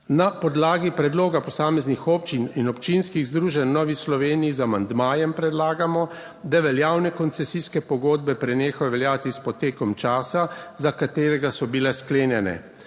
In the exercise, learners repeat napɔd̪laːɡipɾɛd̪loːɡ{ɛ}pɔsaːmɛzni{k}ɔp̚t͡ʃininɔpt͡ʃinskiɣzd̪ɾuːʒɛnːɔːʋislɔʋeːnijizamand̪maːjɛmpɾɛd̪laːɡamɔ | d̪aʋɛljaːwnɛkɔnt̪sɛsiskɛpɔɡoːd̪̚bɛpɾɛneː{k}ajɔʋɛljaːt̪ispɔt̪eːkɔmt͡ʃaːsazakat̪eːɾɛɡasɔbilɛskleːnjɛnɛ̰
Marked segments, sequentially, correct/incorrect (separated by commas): incorrect, incorrect, incorrect